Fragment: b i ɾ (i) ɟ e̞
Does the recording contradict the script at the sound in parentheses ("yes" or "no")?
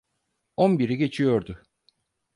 no